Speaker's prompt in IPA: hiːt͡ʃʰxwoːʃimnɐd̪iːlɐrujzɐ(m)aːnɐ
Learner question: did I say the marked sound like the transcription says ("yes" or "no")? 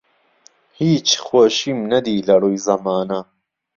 yes